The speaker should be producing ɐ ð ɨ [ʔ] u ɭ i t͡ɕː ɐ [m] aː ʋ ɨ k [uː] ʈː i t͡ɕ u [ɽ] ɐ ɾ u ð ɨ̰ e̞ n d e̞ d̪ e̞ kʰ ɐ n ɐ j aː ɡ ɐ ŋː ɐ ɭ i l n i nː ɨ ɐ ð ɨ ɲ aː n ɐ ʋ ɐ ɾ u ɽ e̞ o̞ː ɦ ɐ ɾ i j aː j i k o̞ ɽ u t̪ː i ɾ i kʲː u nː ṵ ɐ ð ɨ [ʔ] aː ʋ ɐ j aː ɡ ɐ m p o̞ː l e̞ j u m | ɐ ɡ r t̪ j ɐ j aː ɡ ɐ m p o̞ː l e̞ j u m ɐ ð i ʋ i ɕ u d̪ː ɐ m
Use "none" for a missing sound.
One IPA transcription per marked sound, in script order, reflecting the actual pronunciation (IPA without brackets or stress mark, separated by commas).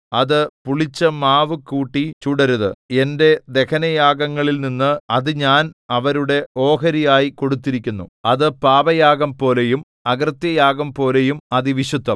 p, m, uː, ɽ, p